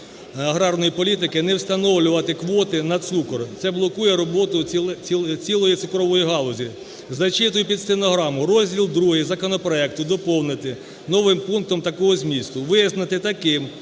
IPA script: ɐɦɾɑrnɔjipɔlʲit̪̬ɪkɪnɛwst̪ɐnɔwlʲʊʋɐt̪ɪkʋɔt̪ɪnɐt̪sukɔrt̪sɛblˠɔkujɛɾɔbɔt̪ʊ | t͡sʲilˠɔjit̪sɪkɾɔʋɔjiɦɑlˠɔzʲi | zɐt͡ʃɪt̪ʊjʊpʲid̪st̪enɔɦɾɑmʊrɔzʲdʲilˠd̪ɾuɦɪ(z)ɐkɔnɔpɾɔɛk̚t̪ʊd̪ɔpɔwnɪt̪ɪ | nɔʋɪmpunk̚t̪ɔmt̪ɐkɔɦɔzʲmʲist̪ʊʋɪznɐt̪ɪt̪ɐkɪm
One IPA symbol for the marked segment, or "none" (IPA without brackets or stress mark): z